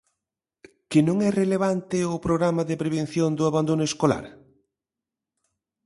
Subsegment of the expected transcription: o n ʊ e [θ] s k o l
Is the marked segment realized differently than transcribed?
yes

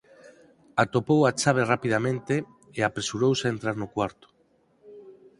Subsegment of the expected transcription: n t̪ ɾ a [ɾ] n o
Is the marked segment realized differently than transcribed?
no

